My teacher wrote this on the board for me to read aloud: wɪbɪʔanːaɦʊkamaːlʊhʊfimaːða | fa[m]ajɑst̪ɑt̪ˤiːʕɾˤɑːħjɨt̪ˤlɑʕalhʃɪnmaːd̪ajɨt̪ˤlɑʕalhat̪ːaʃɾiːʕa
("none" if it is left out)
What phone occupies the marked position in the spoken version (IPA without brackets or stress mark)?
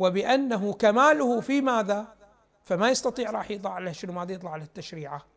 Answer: m